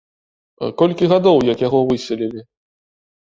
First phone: k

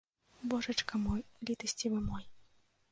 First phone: b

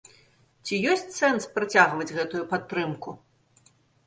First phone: t͡sʲ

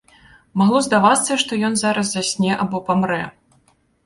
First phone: m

